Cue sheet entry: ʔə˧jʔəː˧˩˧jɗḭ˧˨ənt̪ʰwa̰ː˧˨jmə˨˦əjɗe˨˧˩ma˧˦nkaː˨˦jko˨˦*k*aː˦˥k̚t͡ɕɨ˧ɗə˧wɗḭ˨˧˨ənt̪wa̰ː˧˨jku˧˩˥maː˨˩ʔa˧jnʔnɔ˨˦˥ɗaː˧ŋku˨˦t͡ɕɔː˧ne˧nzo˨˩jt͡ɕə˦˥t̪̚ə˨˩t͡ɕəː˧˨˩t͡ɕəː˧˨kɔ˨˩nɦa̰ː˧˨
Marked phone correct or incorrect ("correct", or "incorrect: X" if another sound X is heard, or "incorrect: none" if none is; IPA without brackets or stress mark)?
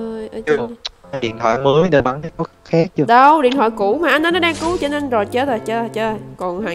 incorrect: x